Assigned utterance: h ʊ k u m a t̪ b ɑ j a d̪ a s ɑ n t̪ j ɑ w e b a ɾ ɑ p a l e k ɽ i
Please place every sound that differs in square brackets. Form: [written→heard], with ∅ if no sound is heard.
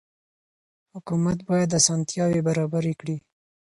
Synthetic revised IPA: h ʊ k u m a t̪ b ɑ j a d̪ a s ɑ n t̪ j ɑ w e b a ɾ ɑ [p→b] a [l→ɾ] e k ɽ i